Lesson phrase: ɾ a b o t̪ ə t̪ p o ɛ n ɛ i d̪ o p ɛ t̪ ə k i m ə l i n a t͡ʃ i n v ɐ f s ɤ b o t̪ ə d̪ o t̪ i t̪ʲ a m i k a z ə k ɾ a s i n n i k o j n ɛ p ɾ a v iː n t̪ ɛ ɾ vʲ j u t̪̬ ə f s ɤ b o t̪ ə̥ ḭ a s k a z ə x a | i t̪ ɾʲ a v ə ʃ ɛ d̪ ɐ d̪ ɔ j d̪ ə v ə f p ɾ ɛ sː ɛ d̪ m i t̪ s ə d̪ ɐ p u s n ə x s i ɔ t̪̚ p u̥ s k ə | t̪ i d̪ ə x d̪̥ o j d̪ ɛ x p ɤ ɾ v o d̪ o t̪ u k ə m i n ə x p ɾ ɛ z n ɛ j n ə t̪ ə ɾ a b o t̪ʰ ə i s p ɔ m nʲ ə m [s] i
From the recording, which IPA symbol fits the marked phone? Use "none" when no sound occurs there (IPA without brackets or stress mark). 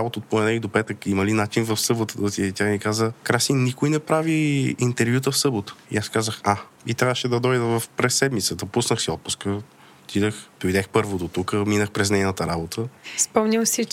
s